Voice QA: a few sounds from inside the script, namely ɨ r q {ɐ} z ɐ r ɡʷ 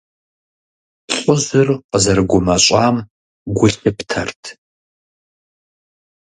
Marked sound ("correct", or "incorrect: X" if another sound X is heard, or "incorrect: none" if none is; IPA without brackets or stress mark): incorrect: ə